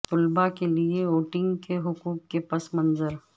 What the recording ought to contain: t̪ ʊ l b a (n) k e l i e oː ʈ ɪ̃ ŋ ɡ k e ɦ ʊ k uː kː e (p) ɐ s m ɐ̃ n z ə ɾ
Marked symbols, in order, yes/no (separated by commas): no, yes